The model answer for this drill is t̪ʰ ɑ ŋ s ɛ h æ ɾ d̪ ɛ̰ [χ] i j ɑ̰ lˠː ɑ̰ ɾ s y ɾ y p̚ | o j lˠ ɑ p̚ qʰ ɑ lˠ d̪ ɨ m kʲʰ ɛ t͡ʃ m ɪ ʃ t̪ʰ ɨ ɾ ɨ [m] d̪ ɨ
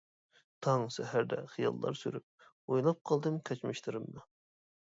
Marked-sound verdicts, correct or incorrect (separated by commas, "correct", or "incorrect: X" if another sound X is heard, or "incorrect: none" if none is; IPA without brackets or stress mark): correct, correct